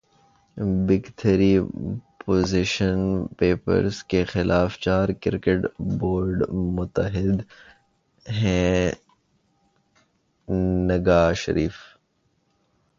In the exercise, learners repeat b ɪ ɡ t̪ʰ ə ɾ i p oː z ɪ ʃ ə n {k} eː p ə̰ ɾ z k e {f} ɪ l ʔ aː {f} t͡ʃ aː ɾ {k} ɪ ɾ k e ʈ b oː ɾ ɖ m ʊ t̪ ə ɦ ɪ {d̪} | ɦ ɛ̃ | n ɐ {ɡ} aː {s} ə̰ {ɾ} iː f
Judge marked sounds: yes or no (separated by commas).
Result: no, no, yes, yes, yes, yes, no, yes